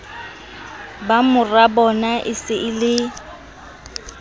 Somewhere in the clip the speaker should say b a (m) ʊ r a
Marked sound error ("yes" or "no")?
no